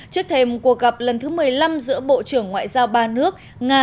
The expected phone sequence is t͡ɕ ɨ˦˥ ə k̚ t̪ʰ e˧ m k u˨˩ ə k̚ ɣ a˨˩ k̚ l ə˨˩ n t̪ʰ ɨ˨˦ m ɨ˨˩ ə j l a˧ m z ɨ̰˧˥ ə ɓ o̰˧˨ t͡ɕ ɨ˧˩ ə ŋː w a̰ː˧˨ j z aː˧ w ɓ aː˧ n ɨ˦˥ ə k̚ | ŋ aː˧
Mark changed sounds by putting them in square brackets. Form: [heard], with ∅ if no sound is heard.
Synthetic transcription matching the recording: t͡ɕ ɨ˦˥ ə k̚ t̪ʰ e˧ m k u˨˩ ə k̚ ɣ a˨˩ [p̚] l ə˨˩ n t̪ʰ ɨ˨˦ m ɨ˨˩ ə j l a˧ m z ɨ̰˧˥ ə ɓ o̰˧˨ t͡ɕ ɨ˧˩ ə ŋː w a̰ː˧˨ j z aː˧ w ɓ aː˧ n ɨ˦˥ ə k̚ | ŋ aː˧

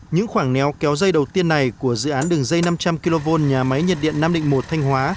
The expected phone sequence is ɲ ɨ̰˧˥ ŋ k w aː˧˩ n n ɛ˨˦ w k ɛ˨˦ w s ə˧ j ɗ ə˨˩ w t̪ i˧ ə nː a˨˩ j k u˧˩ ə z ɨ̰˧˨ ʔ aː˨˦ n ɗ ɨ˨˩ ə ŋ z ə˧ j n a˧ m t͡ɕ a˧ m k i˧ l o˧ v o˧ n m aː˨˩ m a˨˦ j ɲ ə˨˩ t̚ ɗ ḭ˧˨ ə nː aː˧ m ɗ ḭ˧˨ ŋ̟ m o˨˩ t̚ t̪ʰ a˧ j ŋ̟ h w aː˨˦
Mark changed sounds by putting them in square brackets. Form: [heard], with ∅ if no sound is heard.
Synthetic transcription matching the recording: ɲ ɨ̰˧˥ ŋ [x] w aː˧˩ [ŋ] n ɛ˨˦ w k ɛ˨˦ w [z] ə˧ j ɗ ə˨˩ w t̪ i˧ ə nː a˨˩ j k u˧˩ ə z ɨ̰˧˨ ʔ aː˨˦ n ɗ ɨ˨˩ ə ŋ z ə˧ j n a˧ m t͡ɕ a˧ m k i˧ l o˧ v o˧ n [ɲ] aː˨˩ m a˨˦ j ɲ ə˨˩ t̚ ɗ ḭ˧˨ ə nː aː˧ m ɗ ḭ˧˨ ŋ̟ m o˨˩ t̚ t̪ʰ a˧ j ŋ̟ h w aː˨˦

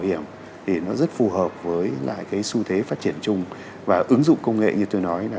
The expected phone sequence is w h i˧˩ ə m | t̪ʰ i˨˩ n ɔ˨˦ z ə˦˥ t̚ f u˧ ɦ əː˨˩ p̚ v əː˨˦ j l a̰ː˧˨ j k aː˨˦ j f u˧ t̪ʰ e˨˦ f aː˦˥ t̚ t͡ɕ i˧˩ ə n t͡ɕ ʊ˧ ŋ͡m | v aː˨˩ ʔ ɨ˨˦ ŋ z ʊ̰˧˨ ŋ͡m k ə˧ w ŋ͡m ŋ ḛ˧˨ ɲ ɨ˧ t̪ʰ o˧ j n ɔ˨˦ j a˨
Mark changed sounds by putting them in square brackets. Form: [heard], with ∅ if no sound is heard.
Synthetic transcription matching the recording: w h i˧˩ ə m | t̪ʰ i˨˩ n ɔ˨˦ z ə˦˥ t̚ f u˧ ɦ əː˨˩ p̚ v əː˨˦ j l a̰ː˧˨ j k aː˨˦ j [s] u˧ t̪ʰ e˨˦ f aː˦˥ t̚ t͡ɕ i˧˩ ə n t͡ɕ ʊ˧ ŋ͡m | v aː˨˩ ʔ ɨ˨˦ ŋ z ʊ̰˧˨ ŋ͡m k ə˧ w ŋ͡m ŋ ḛ˧˨ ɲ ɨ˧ [t̪] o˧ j n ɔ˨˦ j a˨

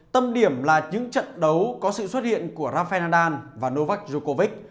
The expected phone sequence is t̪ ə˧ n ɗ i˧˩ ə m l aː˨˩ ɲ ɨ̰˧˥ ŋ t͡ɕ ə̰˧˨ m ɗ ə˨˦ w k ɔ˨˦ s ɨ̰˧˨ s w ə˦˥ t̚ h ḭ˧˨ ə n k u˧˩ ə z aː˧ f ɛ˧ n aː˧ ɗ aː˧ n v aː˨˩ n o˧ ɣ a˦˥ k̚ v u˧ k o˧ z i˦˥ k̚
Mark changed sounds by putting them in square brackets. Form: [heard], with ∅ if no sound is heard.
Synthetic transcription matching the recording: t̪ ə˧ [m] ɗ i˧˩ ə m l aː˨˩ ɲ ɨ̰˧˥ ŋ t͡ɕ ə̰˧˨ [n] ɗ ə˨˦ w k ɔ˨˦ s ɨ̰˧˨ s w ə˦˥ t̚ h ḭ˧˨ ə n k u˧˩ ə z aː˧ f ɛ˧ n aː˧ ɗ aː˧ n v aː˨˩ n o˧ [v] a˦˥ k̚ [z] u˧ k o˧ [v] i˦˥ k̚

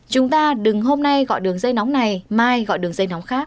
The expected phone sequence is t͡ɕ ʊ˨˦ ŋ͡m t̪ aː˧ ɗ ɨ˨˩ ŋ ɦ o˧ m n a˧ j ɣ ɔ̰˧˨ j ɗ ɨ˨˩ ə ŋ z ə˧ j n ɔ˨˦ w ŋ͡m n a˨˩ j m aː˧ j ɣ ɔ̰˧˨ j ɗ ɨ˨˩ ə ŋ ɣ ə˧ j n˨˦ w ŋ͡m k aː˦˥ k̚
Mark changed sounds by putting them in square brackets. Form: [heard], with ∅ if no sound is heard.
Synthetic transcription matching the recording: t͡ɕ ʊ˨˦ ŋ͡m t̪ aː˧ ɗ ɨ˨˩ ŋ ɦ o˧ m n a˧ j ɣ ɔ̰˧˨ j ɗ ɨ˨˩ ə ŋ z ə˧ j n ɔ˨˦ w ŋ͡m n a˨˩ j m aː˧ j ɣ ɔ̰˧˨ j ɗ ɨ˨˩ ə ŋ [z] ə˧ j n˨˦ w ŋ͡m [x] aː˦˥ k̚

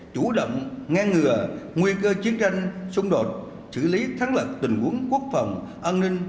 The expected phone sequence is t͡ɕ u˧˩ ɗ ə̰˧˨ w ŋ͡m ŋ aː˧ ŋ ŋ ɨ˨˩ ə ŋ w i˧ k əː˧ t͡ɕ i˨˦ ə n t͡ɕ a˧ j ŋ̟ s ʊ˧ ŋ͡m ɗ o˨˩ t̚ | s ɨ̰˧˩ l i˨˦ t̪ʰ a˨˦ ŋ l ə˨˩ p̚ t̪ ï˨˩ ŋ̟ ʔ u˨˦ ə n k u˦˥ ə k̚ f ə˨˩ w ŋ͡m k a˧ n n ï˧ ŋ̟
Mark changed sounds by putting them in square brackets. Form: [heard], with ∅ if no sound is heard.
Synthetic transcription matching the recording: t͡ɕ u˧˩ ɗ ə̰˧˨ w ŋ͡m ŋ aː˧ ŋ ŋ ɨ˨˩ ə ŋ w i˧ k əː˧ t͡ɕ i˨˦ ə n t͡ɕ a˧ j ŋ̟ s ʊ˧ ŋ͡m ɗ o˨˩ t̚ | s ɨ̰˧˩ l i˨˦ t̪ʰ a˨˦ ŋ l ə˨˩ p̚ t̪ ï˨˩ ŋ̟ ʔ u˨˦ ə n k u˦˥ ə k̚ f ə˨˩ w ŋ͡m [ʔ] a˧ n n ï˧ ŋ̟

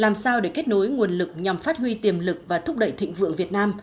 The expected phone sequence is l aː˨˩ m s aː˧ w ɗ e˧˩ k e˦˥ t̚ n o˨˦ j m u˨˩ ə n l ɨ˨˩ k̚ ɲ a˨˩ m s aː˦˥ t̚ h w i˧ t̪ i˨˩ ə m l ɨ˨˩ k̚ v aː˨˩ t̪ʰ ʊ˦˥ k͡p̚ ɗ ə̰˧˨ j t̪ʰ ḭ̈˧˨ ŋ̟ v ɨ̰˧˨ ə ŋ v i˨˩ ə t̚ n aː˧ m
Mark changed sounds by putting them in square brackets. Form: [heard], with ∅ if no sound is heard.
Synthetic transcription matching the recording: l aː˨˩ m s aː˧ w ɗ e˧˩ k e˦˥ t̚ n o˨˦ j [ŋ] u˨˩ ə n l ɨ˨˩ k̚ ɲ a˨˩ m [f] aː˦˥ t̚ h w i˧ t̪ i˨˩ ə m l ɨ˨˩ k̚ v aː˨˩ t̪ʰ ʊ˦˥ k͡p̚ ɗ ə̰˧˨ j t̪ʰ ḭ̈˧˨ ŋ̟ v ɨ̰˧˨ ə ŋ v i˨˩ ə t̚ n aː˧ m

